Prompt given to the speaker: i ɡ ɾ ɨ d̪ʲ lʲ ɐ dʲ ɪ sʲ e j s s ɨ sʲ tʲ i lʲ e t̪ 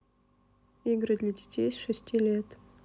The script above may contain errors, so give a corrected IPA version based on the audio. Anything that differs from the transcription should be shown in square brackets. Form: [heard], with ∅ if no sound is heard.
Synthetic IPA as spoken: i ɡ ɾ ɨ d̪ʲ lʲ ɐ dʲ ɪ [tʲ] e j s [ʂ] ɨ sʲ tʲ i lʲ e t̪